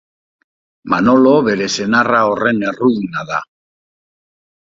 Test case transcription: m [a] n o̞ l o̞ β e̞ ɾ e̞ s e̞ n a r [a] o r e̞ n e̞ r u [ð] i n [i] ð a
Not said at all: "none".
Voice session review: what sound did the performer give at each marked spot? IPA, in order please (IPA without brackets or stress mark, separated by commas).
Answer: a, a, ð, a